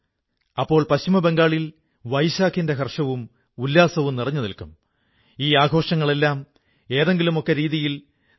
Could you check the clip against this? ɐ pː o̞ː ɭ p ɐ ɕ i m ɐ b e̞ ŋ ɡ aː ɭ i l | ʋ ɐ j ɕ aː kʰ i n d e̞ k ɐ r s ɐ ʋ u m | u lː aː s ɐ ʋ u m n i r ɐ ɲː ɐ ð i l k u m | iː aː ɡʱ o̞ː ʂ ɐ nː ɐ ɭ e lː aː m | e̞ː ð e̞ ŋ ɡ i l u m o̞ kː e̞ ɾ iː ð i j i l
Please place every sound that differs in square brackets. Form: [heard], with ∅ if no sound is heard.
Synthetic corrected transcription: ɐ pː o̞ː ɭ p ɐ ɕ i m ɐ b e̞ ŋ ɡ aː ɭ i l | ʋ ɐ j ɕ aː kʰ i n d e̞ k ɐ r [ʂ] ɐ ʋ u m | u lː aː s ɐ ʋ u m n i r ɐ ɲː ɐ ð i l k u m | iː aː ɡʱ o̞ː ʂ ɐ [ŋː] ɐ ɭ e lː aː m | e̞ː ð e̞ ŋ ɡ i l u m o̞ kː e̞ ɾ iː ð i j i l

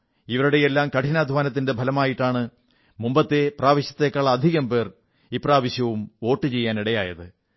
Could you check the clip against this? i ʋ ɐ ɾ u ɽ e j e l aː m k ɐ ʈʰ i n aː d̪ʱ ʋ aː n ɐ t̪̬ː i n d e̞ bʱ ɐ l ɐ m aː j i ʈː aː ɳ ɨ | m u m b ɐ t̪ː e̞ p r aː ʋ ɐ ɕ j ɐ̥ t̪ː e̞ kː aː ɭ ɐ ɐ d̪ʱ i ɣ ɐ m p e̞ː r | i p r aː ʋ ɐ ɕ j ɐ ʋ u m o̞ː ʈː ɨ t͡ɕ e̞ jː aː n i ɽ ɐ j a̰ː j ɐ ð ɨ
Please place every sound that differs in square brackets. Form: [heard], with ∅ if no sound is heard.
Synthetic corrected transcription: i ʋ ɐ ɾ u ɽ e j e [lː] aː m k ɐ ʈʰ i n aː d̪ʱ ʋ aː n ɐ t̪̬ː i n d e̞ bʱ ɐ l ɐ m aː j i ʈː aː ɳ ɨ | m u m b ɐ t̪ː e̞ p r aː ʋ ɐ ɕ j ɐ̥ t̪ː e̞ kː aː ɭ ɐ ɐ d̪ʱ i ɣ ɐ m p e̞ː r | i p r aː ʋ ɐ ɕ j ɐ ʋ u m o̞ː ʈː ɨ t͡ɕ e̞ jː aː n i ɽ ɐ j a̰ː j ɐ ð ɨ

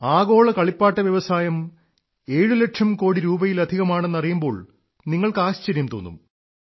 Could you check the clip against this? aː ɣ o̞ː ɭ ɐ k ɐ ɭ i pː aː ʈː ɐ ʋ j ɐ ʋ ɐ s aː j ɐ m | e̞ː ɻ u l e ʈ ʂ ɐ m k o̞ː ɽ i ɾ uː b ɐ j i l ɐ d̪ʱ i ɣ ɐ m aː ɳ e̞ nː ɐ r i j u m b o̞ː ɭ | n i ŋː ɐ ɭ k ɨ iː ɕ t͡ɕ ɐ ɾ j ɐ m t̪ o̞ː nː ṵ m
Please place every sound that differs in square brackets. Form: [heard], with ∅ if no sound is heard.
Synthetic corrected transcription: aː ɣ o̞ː ɭ ɐ k ɐ ɭ i pː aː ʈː ɐ ʋ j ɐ ʋ ɐ s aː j ɐ m | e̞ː ɻ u l e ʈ ʂ ɐ m k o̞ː ɽ i ɾ uː b ɐ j i l ɐ d̪ʱ i ɣ ɐ m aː ɳ e̞ nː ɐ r i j u m b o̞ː ɭ | n i ŋː ɐ ɭ k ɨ [aː] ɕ t͡ɕ ɐ ɾ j ɐ m t̪ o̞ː nː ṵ m

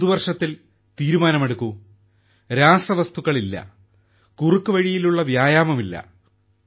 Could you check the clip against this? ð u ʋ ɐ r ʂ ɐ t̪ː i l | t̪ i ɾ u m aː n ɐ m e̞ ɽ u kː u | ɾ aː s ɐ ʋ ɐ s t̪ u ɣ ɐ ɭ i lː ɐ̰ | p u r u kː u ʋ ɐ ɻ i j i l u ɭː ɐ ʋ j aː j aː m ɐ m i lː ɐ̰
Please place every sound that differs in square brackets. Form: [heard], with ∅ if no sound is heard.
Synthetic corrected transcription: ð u ʋ ɐ r ʂ ɐ t̪ː i l | t̪ [iː] ɾ u m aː n ɐ m e̞ ɽ u kː u | ɾ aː s ɐ ʋ ɐ s t̪ u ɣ ɐ ɭ i lː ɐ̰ | [k] u r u kː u ʋ ɐ ɻ i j i l u ɭː ɐ ʋ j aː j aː m ɐ m i lː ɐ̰

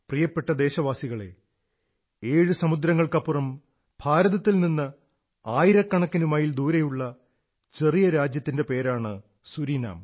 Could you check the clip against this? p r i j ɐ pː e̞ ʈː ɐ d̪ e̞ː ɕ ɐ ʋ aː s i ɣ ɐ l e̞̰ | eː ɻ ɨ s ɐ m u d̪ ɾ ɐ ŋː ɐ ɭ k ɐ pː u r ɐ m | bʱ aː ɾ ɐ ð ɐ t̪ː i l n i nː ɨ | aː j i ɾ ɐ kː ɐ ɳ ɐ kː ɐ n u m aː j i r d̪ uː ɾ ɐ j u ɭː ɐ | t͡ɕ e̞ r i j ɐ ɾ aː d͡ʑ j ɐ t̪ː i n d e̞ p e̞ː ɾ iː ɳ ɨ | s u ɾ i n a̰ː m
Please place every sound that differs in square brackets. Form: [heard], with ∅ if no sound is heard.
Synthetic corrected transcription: p r i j ɐ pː e̞ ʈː ɐ d̪ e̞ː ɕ ɐ ʋ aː s i ɣ ɐ [ɭ] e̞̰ | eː ɻ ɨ s ɐ m u d̪ ɾ ɐ ŋː ɐ ɭ k ɐ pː u r ɐ m | bʱ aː ɾ ɐ ð ɐ t̪ː i l n i nː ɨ | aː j i ɾ ɐ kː ɐ ɳ ɐ kː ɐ n u m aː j i [l] d̪ uː ɾ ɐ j u ɭː ɐ | t͡ɕ e̞ r i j ɐ ɾ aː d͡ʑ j ɐ t̪ː i n d e̞ p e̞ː ɾ [aː] ɳ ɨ | s u ɾ i n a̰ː m

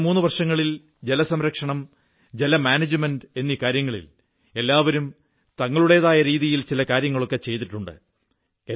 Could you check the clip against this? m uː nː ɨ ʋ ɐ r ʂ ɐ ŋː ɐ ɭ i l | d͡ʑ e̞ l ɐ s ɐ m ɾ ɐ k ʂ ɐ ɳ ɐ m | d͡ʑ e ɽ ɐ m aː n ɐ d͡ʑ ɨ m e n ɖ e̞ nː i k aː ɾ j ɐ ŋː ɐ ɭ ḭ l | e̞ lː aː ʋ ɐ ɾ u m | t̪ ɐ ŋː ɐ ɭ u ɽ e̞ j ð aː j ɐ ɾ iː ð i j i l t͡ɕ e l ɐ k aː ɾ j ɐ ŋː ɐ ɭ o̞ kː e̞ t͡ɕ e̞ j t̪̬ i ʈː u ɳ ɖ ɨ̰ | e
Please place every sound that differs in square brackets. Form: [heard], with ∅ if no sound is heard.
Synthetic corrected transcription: m uː nː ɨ ʋ ɐ r ʂ ɐ ŋː ɐ ɭ i l | d͡ʑ e̞ l ɐ s ɐ m ɾ ɐ k ʂ ɐ ɳ ɐ m | d͡ʑ e [l] ɐ m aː n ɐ d͡ʑ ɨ m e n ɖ e̞ nː i k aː ɾ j ɐ ŋː ɐ ɭ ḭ l | e̞ lː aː ʋ ɐ ɾ u m | t̪ ɐ ŋː ɐ ɭ u ɽ e̞ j ð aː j ɐ ɾ iː ð i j i l t͡ɕ [i] l ɐ k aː ɾ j ɐ ŋː ɐ ɭ o̞ kː e̞ t͡ɕ e̞ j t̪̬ i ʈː u ɳ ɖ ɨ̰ | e

